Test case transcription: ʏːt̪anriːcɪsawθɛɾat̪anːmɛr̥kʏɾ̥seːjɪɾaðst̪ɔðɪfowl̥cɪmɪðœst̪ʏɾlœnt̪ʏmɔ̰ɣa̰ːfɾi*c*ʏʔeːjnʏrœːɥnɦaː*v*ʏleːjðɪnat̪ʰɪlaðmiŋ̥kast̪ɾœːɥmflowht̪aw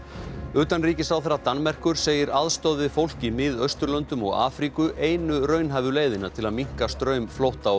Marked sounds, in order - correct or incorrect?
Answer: incorrect: k, correct

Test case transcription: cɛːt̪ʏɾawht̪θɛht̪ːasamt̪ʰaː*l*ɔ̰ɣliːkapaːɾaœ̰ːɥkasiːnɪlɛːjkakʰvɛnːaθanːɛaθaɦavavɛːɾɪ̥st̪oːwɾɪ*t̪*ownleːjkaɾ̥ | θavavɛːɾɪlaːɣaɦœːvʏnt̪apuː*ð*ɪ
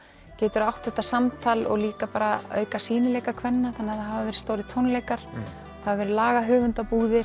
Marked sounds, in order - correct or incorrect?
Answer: correct, incorrect: t̪ʰ, correct

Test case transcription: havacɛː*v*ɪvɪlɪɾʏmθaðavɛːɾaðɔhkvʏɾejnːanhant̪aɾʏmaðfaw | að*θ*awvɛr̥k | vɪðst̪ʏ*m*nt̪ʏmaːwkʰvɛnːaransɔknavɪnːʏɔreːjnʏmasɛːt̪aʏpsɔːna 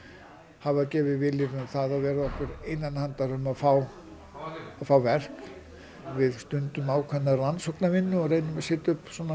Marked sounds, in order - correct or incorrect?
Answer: correct, incorrect: f, incorrect: none

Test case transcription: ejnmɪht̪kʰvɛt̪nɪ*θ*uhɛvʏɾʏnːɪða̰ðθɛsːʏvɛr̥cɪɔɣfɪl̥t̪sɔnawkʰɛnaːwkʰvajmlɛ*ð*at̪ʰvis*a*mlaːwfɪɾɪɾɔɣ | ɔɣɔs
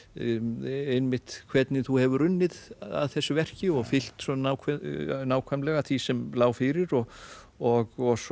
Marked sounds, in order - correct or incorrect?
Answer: correct, incorrect: ɣ, incorrect: ɛ

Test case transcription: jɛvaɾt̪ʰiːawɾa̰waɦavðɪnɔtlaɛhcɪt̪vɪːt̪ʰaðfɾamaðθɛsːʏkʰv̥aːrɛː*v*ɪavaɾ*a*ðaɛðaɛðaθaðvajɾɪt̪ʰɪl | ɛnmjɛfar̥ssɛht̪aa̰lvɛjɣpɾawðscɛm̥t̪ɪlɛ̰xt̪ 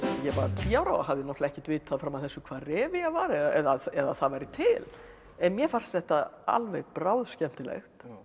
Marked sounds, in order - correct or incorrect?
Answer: correct, incorrect: ɛ

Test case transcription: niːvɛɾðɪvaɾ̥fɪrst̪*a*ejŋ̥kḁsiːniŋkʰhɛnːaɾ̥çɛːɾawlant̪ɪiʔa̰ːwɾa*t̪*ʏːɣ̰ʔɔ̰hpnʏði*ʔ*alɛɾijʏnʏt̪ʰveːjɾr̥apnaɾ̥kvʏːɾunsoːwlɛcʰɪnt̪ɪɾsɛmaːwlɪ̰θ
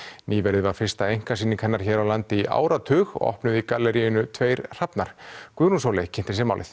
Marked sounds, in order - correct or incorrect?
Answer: correct, incorrect: t̪ʰ, incorrect: k

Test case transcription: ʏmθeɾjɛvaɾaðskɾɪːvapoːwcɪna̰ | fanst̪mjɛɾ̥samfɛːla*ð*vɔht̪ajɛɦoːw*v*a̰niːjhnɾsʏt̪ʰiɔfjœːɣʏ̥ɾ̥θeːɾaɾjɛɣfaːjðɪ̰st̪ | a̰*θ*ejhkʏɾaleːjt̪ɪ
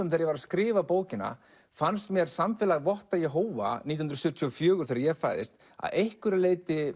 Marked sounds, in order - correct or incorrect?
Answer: incorrect: ɣ, correct, incorrect: ð

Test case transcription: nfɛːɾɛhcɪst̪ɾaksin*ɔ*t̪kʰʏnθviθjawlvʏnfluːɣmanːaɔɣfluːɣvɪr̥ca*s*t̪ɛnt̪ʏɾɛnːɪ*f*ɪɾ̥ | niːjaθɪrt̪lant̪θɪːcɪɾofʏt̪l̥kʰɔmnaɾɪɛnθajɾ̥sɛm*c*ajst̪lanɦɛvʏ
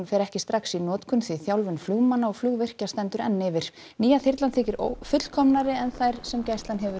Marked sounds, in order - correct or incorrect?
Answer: incorrect: ɔː, correct, incorrect: v, correct

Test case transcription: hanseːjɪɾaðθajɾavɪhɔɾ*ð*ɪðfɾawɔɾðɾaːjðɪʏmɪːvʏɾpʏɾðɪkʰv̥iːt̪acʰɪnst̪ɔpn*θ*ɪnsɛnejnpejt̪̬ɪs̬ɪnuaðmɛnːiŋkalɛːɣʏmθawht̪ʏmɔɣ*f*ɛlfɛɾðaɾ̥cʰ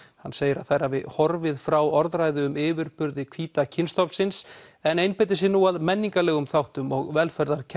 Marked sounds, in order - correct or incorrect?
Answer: incorrect: v, incorrect: s, incorrect: v

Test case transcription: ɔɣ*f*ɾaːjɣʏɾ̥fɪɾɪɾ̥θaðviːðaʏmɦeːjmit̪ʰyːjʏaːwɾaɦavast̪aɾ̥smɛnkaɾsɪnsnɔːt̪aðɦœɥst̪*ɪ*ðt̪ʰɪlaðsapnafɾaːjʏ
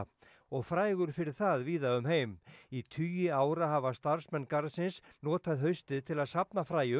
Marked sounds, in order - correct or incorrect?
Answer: correct, correct

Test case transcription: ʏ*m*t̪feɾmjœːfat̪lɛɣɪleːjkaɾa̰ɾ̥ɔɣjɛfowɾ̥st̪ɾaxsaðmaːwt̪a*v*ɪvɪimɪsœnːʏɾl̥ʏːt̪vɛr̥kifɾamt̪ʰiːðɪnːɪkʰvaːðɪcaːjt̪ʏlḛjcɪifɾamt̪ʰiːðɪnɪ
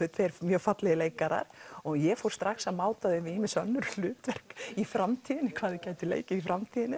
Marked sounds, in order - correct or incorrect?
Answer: incorrect: none, incorrect: ð

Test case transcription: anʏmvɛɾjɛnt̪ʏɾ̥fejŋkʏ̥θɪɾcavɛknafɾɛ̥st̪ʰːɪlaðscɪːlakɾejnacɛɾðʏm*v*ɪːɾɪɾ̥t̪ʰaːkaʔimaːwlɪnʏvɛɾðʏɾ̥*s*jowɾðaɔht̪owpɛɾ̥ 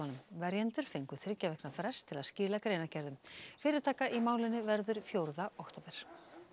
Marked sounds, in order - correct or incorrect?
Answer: incorrect: f, incorrect: f

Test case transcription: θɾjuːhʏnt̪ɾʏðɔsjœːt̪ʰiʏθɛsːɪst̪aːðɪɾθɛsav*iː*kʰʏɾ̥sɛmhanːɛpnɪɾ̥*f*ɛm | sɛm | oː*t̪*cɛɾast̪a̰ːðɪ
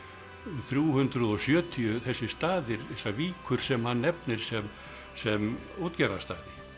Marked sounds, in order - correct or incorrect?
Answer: correct, incorrect: s, correct

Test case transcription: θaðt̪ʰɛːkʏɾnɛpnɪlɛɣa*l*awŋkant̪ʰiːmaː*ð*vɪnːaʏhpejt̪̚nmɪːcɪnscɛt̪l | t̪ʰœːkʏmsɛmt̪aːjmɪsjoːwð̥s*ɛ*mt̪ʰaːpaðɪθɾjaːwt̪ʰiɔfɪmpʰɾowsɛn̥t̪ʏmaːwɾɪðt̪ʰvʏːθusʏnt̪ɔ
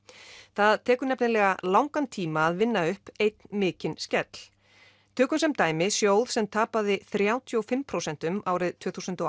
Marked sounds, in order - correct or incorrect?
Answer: correct, correct, correct

